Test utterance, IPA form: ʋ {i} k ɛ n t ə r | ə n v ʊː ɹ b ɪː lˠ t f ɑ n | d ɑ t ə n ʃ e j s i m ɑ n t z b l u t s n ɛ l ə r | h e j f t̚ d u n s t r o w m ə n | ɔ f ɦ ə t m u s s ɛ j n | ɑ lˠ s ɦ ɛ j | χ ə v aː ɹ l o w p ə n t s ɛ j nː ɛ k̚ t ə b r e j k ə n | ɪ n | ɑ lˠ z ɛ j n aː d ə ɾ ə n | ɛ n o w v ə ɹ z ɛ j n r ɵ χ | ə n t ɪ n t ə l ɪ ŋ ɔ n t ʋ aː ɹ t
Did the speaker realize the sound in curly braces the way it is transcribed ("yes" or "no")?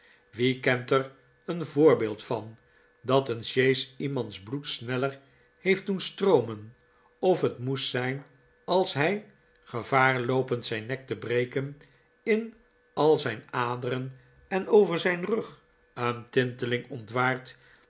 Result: yes